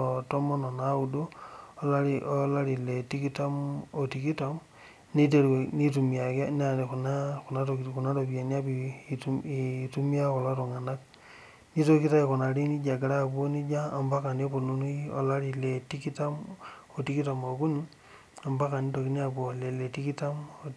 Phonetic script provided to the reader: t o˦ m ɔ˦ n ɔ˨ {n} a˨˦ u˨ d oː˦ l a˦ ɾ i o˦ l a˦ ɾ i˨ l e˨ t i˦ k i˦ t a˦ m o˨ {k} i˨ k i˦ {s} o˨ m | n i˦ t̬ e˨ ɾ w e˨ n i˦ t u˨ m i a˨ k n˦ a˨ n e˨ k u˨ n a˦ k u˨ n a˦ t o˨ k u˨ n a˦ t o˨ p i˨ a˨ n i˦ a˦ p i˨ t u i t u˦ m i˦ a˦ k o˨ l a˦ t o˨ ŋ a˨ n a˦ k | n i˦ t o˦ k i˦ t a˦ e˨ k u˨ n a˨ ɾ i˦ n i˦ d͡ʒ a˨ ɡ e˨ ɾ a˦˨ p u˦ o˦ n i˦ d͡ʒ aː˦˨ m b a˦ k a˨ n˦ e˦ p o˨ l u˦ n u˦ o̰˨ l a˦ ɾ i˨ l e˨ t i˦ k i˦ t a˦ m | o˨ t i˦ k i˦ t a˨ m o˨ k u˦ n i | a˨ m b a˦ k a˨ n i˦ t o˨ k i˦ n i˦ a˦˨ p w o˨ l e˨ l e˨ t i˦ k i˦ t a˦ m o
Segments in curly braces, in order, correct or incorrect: correct, incorrect: t, incorrect: t

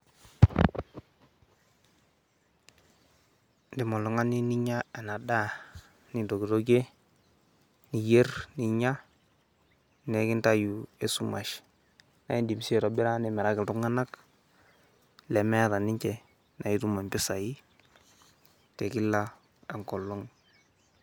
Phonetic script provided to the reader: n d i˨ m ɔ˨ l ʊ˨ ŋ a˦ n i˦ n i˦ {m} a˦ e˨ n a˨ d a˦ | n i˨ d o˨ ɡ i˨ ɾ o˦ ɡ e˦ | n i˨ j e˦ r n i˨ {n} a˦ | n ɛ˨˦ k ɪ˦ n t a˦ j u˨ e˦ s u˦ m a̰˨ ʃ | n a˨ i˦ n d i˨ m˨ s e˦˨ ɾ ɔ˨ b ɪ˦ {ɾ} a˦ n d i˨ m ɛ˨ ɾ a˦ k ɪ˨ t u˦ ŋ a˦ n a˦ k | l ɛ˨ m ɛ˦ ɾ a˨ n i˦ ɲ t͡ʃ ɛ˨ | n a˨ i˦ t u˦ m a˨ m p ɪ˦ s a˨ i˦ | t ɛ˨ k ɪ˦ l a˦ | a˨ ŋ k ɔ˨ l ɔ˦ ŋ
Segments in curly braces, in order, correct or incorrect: incorrect: ɲ, incorrect: ɲ, correct

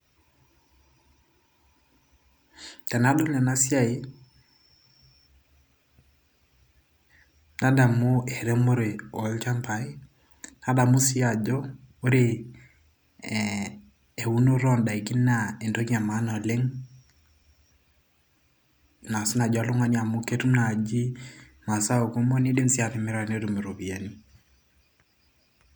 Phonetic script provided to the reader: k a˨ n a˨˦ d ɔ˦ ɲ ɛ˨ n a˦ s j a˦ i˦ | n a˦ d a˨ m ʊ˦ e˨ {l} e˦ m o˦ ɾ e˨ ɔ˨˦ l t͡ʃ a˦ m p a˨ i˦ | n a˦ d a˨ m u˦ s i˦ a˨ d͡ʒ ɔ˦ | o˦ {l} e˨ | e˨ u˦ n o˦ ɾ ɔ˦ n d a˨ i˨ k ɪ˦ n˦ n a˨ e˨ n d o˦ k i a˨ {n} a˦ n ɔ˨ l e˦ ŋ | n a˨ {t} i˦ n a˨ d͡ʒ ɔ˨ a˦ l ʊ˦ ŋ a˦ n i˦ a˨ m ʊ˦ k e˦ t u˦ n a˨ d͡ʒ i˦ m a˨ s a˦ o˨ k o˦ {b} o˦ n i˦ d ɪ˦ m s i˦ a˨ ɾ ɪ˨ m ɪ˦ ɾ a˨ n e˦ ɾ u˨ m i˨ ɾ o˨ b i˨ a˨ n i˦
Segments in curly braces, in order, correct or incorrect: incorrect: ɾ, incorrect: ɾ, incorrect: m, incorrect: s, incorrect: m

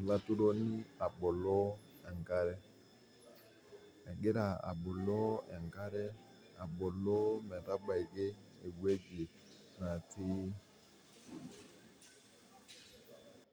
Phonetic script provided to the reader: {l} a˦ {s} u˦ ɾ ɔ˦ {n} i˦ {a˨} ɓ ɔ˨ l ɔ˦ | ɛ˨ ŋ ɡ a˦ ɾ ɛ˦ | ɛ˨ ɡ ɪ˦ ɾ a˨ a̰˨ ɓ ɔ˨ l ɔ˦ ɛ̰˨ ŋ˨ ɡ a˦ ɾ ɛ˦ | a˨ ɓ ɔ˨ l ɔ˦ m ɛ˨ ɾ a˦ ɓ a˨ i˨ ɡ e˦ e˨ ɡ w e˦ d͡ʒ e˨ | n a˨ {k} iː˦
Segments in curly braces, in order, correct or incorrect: correct, incorrect: t, correct, correct, incorrect: t

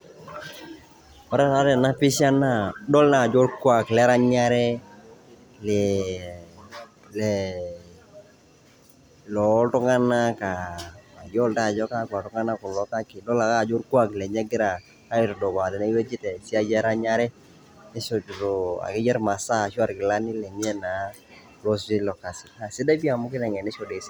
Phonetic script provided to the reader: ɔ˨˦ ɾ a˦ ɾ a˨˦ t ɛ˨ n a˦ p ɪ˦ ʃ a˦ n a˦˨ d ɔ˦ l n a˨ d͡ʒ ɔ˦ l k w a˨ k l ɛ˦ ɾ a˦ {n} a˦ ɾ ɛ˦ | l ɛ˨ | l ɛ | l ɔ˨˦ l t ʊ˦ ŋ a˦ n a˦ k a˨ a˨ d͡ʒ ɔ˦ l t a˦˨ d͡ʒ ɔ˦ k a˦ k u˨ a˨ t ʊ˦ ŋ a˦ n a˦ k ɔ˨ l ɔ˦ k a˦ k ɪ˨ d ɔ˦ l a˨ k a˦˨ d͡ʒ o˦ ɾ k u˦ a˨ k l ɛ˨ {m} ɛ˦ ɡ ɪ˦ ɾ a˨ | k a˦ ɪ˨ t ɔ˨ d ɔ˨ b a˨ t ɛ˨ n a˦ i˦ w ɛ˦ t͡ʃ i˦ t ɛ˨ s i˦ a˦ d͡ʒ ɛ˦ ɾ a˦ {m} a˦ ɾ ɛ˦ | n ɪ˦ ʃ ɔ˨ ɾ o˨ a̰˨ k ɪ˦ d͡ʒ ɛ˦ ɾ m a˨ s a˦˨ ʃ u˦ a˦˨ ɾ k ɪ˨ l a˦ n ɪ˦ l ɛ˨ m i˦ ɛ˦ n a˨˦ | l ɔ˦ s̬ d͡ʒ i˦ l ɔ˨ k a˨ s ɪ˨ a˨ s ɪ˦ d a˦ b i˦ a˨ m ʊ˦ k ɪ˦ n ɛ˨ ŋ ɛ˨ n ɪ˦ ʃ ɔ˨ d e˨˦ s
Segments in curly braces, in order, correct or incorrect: incorrect: ɲ, incorrect: ɲ, incorrect: ɲ

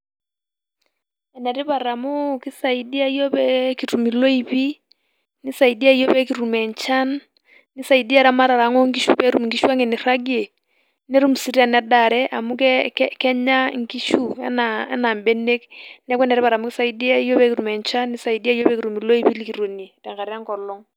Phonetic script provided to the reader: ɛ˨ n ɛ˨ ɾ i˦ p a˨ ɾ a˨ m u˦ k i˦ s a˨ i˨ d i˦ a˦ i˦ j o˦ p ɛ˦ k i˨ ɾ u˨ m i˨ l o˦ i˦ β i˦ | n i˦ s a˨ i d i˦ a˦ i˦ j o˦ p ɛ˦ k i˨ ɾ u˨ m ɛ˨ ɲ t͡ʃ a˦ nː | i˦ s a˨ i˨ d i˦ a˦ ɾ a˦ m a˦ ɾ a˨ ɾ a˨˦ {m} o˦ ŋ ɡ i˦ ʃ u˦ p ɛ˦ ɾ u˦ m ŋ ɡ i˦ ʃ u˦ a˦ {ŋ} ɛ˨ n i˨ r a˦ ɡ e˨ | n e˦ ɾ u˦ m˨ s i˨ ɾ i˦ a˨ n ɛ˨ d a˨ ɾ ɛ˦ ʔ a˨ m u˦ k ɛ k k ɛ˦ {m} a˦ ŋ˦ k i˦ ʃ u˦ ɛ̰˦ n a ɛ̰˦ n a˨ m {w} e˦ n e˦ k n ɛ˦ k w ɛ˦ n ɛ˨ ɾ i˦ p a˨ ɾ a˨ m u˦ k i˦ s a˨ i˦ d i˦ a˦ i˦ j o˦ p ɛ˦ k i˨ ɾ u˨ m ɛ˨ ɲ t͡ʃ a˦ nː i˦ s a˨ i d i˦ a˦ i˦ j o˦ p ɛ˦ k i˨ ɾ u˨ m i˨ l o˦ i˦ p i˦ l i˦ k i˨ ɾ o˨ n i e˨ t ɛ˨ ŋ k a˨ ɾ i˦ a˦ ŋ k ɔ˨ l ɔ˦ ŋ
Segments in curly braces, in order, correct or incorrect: incorrect: ŋ, correct, incorrect: ɲ, incorrect: b

